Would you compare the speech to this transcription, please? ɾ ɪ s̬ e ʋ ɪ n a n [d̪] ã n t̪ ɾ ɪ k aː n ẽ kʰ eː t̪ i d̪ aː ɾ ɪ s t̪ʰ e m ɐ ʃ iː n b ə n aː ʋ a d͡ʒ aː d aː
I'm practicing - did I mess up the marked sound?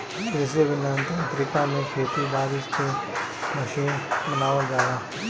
yes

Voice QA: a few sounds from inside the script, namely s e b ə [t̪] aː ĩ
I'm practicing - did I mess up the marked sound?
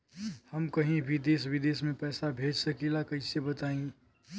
no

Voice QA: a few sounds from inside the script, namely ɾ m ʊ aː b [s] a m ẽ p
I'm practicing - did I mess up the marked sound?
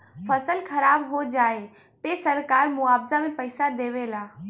yes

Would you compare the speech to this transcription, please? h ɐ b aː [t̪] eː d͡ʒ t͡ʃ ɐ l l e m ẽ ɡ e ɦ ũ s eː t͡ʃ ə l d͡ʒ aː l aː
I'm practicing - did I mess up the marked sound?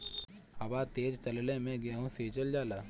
no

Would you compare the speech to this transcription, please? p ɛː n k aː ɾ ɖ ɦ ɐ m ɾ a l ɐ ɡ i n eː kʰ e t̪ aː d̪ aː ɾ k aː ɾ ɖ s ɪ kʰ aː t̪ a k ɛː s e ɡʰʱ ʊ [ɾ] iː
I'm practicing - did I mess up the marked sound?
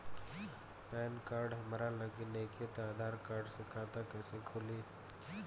yes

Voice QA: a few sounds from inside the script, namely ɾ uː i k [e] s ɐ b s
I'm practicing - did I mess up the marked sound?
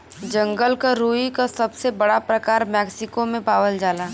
yes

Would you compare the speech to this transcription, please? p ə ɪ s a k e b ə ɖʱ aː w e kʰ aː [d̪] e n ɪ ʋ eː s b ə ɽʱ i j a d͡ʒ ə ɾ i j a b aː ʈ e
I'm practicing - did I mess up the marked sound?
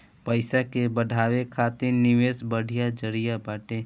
yes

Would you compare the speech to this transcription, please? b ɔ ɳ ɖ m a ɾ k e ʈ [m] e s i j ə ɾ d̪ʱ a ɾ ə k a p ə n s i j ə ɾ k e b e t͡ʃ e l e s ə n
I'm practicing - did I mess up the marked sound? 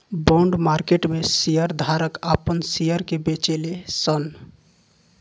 no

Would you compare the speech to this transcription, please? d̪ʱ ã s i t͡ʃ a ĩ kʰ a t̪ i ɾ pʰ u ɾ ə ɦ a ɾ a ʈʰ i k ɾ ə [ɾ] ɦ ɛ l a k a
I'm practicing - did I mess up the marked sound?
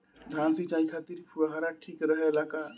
yes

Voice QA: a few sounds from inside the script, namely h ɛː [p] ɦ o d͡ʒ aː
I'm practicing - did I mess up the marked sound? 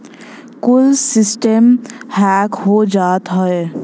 yes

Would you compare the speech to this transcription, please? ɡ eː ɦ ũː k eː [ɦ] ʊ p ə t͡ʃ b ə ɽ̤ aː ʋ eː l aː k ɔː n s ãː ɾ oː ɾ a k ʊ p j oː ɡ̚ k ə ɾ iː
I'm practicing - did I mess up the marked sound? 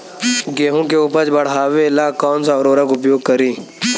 yes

